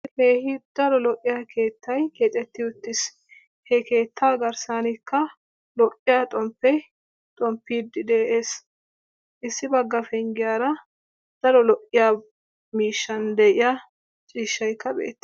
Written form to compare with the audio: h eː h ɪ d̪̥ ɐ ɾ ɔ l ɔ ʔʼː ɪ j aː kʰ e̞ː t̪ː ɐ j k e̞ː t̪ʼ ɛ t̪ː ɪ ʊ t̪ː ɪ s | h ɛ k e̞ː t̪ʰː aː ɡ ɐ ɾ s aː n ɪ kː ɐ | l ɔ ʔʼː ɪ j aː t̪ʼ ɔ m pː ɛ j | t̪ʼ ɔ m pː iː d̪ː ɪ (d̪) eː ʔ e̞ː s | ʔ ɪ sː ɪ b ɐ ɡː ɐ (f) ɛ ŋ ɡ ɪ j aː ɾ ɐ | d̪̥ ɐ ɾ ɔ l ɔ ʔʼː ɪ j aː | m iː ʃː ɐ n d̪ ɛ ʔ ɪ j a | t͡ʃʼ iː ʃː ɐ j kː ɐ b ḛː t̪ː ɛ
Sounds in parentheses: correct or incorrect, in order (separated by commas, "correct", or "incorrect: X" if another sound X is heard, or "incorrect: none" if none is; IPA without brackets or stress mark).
correct, correct